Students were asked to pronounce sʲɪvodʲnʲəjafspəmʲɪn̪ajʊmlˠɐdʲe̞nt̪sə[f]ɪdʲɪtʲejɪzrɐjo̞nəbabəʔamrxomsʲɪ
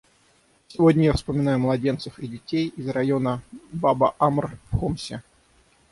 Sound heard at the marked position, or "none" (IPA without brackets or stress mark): f